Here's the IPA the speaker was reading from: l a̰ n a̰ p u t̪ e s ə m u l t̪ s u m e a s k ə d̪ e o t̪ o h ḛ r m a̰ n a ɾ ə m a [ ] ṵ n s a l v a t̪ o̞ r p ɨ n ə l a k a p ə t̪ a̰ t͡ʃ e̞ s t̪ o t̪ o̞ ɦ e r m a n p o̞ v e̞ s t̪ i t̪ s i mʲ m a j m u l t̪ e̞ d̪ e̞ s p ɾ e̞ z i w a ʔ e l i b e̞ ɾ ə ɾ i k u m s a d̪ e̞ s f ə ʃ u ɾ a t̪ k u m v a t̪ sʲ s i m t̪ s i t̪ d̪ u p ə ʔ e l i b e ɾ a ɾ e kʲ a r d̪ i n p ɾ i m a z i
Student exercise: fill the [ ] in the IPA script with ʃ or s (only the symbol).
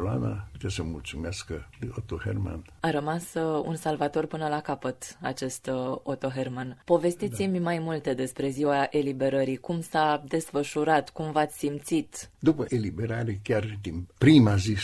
s